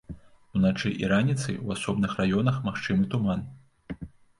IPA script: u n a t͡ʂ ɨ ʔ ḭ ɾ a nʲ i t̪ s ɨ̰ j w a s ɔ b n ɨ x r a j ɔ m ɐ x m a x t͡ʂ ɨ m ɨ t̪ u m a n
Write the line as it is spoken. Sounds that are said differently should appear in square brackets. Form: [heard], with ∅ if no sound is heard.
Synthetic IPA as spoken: u n a t͡ʂ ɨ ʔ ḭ ɾ a nʲ i t̪ s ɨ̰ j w a s ɔ b n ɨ x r a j ɔ [n] ɐ x m a x t͡ʂ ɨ m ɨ t̪ u m a n